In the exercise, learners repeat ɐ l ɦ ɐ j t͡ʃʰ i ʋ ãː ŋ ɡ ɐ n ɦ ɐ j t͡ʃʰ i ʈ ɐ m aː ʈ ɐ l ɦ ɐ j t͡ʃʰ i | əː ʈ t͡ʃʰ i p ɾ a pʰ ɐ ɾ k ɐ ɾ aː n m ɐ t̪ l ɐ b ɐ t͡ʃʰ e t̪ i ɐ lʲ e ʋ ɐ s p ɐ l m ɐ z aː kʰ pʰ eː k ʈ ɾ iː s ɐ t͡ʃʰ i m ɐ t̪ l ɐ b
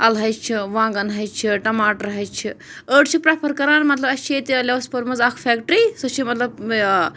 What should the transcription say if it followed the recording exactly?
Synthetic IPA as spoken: ɐ l ɦ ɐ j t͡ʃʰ i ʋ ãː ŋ ɡ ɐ n ɦ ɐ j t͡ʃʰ i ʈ ɐ m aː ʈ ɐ ɾ ɦ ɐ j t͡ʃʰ i | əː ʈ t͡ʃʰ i p ɾ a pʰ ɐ ɾ k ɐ ɾ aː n m ɐ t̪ l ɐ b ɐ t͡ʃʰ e t̪ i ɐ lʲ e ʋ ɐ s p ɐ ɾ m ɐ z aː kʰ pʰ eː k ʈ ɾ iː s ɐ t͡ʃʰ i m ɐ t̪ l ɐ b